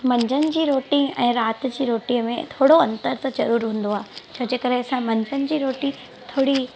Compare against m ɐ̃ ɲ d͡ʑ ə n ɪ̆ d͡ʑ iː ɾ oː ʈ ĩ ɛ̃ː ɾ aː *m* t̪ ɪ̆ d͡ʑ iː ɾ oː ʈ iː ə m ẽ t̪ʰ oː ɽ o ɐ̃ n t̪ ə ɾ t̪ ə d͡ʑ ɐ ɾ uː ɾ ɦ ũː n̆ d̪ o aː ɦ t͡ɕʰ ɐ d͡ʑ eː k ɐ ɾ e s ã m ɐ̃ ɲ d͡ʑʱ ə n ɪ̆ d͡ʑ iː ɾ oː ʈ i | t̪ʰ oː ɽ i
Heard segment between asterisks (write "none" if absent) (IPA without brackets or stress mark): none